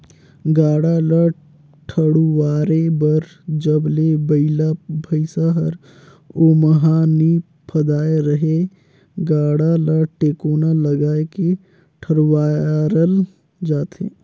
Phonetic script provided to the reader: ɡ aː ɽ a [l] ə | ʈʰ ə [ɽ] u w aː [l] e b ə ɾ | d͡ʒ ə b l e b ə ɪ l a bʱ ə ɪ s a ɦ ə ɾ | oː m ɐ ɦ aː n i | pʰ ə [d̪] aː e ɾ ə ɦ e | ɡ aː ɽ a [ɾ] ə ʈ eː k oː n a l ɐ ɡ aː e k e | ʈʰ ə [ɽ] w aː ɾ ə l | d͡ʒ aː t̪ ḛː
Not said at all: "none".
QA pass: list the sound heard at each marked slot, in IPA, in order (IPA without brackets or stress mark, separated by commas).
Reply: l, ɽ, ɾ, d̪, l, ɽ